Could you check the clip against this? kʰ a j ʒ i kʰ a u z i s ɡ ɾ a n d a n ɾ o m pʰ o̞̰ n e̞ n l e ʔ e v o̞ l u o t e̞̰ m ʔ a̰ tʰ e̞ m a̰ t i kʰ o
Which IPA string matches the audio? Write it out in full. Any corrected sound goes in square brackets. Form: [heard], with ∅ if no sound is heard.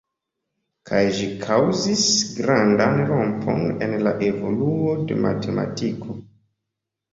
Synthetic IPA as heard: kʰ a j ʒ i kʰ a [w] z i s ɡ ɾ a n d a n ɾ o m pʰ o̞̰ n e̞ n l [a] ʔ e v o̞ l u o [d] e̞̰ m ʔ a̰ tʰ e̞ m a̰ t i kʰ o